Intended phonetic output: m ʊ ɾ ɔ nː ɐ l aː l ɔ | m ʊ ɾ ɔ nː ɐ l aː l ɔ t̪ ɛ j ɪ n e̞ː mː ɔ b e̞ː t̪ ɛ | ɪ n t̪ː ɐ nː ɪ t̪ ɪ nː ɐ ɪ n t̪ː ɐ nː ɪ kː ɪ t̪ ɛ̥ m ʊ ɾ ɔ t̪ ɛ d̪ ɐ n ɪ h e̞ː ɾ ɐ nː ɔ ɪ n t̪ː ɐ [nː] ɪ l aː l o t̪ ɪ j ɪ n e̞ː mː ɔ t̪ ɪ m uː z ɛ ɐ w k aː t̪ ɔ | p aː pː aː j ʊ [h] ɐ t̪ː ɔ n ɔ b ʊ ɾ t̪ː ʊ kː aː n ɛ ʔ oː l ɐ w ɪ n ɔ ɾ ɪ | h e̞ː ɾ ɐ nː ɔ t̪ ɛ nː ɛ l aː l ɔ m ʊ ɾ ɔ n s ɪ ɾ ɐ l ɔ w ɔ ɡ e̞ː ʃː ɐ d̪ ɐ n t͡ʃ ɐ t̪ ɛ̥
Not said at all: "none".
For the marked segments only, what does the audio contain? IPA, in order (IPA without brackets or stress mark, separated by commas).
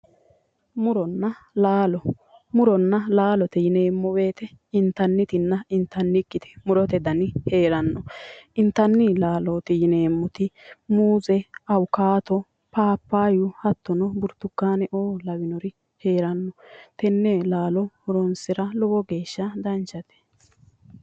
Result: nː, h